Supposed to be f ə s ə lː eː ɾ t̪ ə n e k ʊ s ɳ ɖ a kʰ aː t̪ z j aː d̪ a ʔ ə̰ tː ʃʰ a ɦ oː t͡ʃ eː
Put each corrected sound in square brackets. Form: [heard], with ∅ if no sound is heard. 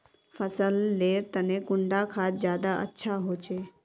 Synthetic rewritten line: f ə s ə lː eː ɾ t̪ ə n e k ʊ [∅] ɳ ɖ a kʰ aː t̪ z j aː d̪ a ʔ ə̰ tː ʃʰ a ɦ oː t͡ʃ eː